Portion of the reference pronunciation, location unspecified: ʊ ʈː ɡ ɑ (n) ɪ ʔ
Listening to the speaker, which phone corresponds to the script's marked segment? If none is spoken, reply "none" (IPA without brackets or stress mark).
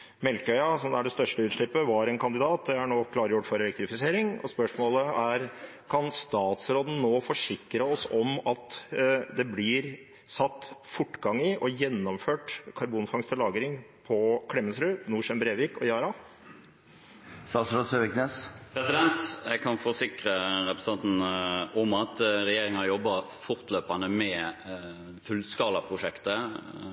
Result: ŋ